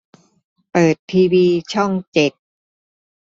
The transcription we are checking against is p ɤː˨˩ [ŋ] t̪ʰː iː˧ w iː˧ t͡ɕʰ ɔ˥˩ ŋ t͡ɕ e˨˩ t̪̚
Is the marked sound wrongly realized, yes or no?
yes